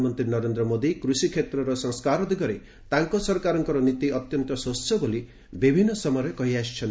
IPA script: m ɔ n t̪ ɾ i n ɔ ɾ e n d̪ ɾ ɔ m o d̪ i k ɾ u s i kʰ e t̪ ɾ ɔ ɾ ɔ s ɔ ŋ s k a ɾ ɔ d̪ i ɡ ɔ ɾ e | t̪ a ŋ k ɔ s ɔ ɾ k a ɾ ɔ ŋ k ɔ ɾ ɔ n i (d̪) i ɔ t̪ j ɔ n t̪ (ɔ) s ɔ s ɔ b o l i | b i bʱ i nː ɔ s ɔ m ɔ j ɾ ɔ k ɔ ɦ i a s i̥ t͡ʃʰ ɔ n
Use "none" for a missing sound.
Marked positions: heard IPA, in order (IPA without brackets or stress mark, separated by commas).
t̪, ɔ